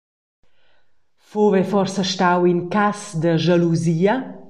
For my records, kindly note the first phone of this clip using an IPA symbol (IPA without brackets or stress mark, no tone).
f